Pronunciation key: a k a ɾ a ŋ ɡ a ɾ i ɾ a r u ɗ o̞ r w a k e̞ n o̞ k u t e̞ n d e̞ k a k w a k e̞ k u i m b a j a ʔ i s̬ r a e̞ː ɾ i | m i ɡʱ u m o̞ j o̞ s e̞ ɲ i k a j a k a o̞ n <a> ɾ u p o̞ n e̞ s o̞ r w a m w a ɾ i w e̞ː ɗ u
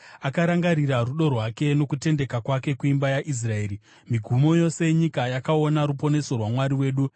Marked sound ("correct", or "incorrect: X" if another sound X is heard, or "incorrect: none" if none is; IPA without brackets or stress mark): correct